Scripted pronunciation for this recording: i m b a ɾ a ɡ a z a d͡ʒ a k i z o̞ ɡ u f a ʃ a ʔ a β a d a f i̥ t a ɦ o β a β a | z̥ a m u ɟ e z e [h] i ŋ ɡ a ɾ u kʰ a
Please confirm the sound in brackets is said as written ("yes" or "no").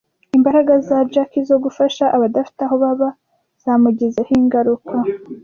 yes